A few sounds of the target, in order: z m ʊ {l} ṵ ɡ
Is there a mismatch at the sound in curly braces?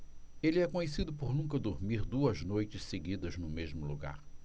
no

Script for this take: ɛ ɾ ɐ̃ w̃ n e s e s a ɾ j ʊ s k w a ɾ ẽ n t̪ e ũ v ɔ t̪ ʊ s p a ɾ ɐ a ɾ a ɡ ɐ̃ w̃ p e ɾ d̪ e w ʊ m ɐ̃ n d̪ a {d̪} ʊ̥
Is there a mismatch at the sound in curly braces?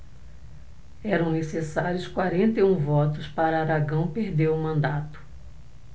yes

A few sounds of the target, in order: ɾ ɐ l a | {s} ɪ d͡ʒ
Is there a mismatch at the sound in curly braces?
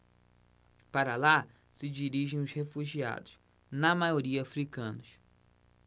no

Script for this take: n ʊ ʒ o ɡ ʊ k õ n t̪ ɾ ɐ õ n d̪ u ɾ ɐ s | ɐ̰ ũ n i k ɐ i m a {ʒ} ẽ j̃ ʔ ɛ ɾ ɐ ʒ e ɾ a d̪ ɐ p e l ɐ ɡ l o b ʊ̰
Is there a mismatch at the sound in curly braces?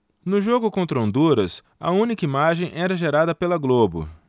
no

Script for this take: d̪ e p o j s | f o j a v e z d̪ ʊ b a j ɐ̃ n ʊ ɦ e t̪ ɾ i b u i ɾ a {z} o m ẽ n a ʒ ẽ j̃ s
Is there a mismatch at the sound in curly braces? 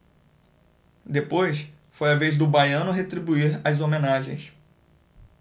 no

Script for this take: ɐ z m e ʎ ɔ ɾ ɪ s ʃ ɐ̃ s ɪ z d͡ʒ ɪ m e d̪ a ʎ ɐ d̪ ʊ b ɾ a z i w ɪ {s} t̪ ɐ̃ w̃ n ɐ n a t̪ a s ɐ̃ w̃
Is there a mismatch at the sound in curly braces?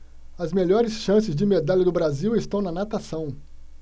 no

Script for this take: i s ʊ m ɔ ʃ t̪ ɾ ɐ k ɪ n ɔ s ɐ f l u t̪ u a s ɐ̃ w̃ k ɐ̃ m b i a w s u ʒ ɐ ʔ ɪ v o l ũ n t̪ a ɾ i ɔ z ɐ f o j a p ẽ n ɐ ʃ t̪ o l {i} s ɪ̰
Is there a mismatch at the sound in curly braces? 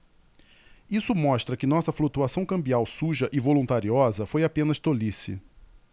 no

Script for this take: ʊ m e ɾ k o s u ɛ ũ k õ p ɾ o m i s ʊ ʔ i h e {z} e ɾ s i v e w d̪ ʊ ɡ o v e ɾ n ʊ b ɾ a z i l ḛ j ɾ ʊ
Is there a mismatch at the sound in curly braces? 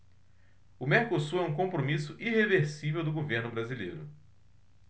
yes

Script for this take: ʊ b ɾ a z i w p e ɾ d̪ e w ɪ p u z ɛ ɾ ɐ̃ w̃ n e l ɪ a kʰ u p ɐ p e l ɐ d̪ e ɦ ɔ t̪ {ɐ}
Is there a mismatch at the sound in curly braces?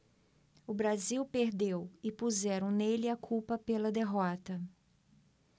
no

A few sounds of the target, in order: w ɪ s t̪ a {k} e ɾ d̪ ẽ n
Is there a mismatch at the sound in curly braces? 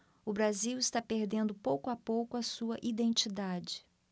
yes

